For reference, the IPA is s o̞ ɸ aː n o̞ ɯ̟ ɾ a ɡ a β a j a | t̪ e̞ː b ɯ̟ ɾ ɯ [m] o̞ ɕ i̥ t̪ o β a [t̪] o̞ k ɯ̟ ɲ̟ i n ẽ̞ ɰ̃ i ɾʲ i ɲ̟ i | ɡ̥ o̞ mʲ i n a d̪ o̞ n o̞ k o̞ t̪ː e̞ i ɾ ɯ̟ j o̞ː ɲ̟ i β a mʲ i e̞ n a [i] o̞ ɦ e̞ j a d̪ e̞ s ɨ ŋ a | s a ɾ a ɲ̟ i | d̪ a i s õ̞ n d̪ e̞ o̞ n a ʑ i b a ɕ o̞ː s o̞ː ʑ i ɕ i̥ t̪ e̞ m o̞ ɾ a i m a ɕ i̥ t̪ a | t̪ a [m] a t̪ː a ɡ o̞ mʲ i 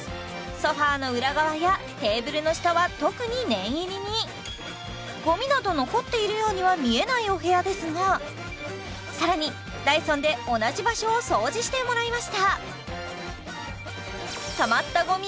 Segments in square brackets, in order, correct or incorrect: incorrect: n, correct, correct, correct

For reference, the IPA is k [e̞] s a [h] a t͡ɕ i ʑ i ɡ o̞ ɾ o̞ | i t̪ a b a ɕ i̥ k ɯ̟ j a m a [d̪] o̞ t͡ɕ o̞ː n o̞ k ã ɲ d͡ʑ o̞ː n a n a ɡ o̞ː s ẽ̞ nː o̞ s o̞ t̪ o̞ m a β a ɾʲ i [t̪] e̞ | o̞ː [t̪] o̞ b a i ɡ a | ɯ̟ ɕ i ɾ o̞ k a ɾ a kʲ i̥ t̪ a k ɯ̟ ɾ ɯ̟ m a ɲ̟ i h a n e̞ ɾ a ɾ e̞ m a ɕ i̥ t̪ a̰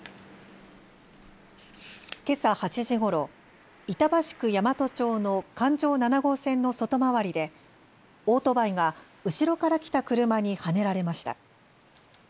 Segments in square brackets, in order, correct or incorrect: correct, correct, incorrect: t̪, incorrect: d̪, correct

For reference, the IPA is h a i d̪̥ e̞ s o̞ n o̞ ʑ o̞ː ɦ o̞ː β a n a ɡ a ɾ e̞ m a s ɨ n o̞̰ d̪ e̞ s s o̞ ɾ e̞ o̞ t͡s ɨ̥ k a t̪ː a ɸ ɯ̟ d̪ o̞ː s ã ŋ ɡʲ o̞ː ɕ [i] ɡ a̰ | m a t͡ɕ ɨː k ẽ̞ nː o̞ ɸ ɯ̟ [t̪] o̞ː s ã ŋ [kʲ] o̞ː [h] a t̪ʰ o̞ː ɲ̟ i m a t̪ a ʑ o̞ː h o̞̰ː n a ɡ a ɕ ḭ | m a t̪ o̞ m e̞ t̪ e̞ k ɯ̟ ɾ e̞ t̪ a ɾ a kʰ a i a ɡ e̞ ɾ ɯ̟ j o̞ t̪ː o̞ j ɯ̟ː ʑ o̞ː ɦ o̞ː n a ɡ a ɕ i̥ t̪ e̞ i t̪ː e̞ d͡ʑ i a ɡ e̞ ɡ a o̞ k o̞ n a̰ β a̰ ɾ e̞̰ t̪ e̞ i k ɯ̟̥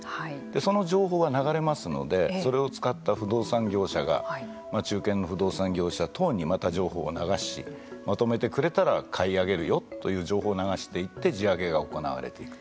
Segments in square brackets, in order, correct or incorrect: incorrect: a, incorrect: d̪, incorrect: ɡʲ, incorrect: ɕ

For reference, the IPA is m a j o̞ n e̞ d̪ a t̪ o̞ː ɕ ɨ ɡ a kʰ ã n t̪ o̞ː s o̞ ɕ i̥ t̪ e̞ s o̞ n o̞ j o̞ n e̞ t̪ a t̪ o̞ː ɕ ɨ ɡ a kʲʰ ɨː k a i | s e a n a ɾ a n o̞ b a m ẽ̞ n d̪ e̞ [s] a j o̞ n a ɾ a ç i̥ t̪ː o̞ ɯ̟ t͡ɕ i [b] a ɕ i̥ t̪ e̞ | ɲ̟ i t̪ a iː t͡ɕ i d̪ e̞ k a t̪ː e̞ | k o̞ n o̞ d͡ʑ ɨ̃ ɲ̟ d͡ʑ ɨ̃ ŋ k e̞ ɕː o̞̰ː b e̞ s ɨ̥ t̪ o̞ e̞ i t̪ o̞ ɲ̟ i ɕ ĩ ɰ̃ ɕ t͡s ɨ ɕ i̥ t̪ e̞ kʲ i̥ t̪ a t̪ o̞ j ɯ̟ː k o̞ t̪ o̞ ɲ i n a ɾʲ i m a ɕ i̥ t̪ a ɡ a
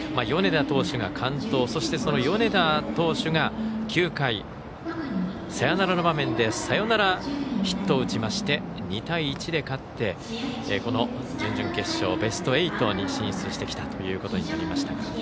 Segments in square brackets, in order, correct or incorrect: correct, incorrect: m

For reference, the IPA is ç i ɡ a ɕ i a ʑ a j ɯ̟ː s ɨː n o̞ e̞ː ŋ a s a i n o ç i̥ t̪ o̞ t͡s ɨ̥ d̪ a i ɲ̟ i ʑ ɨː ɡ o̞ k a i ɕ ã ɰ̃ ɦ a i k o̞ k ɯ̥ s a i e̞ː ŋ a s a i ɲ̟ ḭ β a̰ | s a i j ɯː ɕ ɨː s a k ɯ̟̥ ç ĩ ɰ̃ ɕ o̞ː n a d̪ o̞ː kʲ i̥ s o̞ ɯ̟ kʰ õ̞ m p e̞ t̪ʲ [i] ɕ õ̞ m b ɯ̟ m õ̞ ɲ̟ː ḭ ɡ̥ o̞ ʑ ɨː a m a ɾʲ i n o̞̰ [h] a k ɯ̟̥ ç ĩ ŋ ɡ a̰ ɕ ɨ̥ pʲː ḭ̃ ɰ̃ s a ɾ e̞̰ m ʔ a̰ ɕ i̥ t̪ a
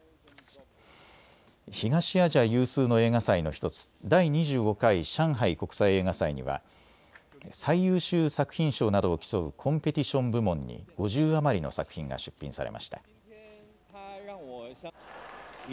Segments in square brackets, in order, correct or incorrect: correct, incorrect: s

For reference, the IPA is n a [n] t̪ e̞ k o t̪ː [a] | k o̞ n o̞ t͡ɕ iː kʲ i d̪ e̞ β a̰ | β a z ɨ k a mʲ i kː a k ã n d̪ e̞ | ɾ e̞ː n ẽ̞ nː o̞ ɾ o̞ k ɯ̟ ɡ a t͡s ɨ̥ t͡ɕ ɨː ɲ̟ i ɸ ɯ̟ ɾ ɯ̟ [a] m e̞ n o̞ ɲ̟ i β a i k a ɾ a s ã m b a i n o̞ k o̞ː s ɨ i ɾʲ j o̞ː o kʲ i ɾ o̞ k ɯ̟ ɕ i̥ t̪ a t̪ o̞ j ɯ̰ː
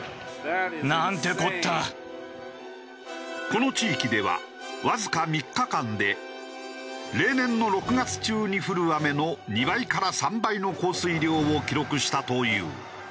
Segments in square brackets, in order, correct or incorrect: correct, correct, correct

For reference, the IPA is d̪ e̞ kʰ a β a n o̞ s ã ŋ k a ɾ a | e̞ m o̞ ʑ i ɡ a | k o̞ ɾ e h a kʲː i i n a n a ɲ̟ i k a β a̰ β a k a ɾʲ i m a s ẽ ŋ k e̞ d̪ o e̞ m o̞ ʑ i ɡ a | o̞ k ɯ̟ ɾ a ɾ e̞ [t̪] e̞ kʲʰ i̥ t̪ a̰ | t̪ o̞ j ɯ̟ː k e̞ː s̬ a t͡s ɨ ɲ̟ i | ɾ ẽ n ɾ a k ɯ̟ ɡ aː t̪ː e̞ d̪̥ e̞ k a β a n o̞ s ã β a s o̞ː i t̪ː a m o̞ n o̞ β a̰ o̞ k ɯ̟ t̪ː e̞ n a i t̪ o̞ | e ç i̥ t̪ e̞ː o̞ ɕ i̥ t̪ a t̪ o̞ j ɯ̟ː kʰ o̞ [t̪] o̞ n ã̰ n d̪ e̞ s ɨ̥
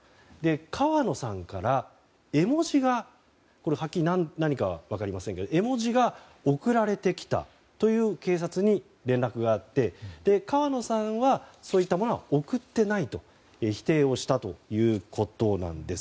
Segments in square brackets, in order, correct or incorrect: correct, correct

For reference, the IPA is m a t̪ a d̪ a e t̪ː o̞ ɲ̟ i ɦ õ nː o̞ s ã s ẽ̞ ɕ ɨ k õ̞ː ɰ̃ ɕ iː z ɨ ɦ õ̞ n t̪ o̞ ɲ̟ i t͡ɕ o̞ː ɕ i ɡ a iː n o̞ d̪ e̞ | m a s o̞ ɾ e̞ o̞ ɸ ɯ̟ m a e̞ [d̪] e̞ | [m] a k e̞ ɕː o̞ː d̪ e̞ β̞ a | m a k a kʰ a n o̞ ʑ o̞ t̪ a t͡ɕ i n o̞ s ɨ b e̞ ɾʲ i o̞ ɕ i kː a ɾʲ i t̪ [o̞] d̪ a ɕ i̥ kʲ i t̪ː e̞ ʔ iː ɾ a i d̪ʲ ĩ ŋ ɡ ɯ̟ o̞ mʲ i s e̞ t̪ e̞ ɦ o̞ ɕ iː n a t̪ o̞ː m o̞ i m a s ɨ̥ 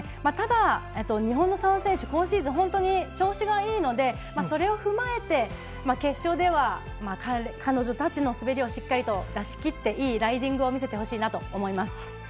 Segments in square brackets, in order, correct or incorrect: incorrect: t̪, correct, correct

